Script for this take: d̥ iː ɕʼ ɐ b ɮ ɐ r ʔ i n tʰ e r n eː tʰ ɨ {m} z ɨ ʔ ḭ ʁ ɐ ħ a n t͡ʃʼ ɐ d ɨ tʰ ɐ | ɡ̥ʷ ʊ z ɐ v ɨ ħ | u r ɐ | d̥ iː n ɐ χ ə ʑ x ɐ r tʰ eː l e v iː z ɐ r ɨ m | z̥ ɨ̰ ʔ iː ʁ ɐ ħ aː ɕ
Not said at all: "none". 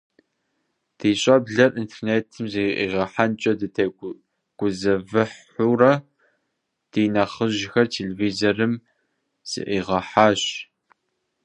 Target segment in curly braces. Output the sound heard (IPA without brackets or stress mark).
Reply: m